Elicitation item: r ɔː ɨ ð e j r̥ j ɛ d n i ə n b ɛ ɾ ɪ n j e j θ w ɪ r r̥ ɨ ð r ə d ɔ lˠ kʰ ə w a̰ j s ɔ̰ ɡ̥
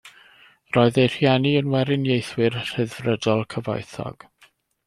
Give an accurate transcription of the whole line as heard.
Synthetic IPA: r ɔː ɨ ð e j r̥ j ɛ n i ə n w ɛ ɾ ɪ n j e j θ w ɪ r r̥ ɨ ð r ə d ɔ lˠ kʰ ə v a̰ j θ ɔ̰ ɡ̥